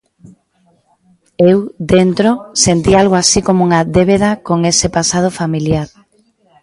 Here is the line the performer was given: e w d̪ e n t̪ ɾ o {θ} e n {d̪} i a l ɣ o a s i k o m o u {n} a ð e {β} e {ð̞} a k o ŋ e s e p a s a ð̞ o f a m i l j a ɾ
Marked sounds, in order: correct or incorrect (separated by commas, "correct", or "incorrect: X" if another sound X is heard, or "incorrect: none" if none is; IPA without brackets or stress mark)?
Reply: incorrect: s, incorrect: t̪, incorrect: ŋ, correct, correct